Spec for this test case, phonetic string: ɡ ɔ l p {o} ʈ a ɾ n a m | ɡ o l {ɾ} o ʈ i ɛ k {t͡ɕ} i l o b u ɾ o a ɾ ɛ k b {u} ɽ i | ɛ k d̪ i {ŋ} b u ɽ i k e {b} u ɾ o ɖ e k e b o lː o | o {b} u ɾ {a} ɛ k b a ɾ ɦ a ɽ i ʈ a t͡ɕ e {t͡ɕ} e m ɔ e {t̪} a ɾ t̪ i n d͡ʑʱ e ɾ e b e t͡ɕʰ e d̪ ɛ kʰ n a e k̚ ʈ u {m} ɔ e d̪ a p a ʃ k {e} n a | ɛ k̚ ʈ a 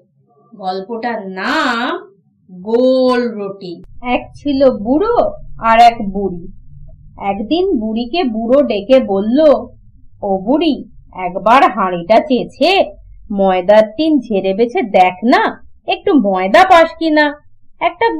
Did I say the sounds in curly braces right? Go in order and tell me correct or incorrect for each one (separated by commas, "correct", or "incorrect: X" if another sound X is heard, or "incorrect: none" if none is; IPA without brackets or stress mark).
correct, correct, incorrect: t͡ɕʰ, correct, incorrect: n, correct, correct, incorrect: i, incorrect: t͡ɕʰ, incorrect: d̪, correct, incorrect: i